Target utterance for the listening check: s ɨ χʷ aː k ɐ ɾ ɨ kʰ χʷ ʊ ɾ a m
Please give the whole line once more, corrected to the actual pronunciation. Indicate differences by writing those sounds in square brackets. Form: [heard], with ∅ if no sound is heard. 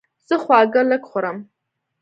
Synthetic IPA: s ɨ χʷ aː [ɡ] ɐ [l] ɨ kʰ χʷ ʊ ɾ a m

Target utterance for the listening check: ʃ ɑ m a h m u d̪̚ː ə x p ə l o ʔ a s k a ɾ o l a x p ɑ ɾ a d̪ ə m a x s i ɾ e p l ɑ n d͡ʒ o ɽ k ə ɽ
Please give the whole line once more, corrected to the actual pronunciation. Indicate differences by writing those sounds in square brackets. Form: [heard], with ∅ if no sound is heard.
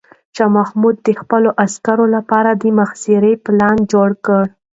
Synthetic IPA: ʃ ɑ m a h m u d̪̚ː ə x p ə l o ʔ a s k a ɾ o l a [∅] p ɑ ɾ a d̪ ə m a x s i ɾ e p l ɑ n d͡ʒ o ɽ k ə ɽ

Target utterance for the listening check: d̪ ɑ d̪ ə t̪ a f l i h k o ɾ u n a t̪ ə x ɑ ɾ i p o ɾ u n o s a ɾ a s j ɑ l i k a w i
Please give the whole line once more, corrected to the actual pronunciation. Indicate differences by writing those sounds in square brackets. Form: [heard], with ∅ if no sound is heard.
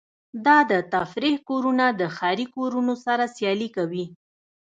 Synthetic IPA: d̪ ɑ d̪ ə t̪ a f [ɾ] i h k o ɾ u n a [d̪] ə x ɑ ɾ i [k] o ɾ u n o s a ɾ a s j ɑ l i k a w i

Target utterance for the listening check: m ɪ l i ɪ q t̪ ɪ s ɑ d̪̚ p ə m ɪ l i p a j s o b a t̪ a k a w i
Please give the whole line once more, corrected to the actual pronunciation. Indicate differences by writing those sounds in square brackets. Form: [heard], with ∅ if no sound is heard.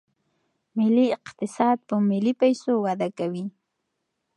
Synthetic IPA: m ɪ l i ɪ q t̪ ɪ s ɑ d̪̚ p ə m ɪ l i p a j s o [w] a [d̪] a k a w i

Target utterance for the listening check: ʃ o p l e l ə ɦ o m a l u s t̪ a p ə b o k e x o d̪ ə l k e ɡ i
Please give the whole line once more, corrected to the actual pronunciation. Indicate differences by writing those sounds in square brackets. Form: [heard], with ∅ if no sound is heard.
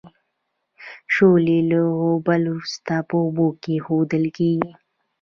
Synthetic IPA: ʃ o [∅] l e l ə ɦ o [b] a l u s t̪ a p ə b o k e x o d̪ ə l k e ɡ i

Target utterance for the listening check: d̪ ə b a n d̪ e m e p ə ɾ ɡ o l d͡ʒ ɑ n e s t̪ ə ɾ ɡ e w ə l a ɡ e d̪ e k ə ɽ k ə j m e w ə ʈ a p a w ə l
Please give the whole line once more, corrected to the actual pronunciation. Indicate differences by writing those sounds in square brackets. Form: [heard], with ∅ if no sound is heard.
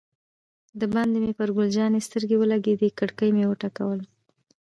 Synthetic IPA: d̪ ə b a n d̪ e m e p ə ɾ ɡ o l d͡ʒ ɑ n e s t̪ ə ɾ ɡ e w ə l a ɡ e d̪ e k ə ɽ k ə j m e w ə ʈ a [k] a w ə l

